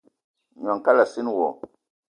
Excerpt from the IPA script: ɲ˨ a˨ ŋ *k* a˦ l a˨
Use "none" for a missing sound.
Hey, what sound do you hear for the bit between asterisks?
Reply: k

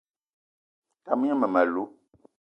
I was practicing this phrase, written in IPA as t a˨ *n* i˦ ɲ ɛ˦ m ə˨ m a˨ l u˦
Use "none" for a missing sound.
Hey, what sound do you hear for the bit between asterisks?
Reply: m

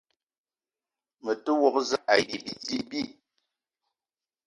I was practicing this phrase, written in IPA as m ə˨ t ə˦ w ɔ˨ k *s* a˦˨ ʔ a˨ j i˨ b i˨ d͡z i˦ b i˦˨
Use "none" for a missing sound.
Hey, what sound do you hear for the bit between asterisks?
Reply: z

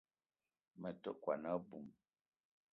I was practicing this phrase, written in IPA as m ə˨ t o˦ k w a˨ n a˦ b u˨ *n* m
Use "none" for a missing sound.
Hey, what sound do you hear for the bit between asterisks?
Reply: none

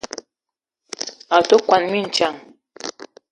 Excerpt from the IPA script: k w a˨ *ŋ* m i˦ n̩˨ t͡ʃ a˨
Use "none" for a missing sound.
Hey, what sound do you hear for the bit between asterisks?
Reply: n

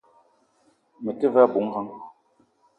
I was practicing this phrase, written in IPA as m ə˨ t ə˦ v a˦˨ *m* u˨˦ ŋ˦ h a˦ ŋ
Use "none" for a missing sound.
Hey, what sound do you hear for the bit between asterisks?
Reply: b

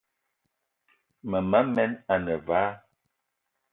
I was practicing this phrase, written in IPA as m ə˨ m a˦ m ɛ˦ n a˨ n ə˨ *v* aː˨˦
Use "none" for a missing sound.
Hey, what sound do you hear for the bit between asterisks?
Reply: v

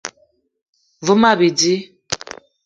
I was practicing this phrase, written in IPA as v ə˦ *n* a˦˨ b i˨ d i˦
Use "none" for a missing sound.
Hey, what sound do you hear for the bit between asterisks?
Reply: m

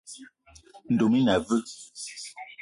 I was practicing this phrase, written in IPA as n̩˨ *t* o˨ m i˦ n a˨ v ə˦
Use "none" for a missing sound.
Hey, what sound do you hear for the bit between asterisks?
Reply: d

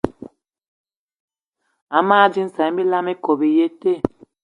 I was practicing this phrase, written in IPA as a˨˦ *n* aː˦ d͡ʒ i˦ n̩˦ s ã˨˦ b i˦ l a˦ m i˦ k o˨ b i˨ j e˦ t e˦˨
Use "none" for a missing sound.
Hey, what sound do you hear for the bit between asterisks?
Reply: m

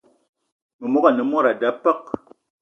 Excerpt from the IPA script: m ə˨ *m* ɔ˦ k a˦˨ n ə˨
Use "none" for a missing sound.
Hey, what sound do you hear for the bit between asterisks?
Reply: m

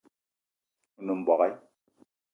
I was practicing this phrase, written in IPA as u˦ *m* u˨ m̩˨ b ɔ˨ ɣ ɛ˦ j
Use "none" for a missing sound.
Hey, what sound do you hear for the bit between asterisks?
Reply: n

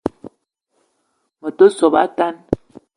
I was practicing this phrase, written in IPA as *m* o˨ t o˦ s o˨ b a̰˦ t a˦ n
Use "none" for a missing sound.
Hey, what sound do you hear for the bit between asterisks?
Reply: m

